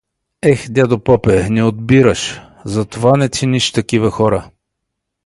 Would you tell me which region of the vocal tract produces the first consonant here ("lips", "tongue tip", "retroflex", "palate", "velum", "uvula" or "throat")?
velum